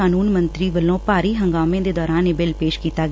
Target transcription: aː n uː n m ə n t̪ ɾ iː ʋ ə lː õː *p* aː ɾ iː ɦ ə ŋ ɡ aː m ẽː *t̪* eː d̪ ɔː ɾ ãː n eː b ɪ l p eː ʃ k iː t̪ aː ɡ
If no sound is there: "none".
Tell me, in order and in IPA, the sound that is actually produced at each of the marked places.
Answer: p, d̪

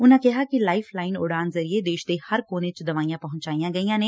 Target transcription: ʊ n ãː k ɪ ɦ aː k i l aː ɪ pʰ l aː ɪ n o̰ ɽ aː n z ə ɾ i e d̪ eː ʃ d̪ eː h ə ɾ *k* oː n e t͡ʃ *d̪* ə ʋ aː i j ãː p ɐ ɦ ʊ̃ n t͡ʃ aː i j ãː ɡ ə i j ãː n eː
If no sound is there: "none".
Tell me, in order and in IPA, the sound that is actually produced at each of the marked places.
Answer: k, d̪

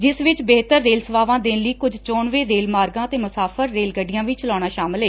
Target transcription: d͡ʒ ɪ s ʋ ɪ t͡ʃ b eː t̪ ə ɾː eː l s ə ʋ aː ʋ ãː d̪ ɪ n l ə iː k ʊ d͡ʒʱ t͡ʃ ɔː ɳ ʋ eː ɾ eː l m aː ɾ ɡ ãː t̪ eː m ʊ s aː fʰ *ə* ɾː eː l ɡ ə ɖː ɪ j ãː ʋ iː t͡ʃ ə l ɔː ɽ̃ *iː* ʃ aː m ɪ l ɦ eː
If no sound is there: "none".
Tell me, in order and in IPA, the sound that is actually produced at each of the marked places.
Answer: ə, aː

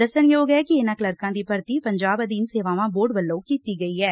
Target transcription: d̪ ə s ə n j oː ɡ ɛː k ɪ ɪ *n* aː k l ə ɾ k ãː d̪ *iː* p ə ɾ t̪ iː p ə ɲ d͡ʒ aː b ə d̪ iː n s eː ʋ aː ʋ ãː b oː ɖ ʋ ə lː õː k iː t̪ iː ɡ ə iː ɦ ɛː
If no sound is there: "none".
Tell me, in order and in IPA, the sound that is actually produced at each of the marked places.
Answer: n, iː

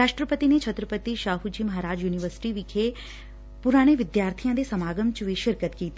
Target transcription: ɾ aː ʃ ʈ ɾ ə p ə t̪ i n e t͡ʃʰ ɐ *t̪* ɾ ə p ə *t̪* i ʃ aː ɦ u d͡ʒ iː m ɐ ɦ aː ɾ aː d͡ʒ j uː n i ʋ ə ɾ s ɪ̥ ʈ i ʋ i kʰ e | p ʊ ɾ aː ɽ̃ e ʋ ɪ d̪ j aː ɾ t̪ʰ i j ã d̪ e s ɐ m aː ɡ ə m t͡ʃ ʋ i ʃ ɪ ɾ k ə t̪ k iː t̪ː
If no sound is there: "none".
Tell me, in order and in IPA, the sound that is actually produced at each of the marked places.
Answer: t̪, t̪

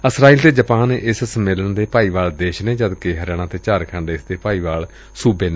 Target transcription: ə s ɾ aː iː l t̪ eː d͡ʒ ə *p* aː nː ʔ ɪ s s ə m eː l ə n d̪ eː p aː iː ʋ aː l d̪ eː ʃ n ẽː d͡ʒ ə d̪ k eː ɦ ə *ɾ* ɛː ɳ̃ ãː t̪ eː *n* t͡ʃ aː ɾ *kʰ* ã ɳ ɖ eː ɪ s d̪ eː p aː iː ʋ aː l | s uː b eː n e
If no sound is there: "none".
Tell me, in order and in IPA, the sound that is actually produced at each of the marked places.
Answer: p, ɾ, none, kʰ

